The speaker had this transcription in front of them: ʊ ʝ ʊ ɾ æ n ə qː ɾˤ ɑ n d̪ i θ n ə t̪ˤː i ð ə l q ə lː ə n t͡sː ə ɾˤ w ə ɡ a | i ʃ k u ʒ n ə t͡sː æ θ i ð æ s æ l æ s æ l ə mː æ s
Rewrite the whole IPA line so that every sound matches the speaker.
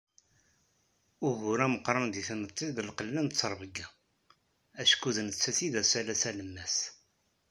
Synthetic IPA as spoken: ʊ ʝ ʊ ɾ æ m ə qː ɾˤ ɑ n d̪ i θ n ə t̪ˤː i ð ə l q ə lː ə n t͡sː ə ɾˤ v ə ɡ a | æ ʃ k u ð n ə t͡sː æ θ i ð æ s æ l æ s æ l ə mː æ s